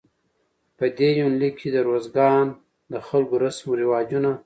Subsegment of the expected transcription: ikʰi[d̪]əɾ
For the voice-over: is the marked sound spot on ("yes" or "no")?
yes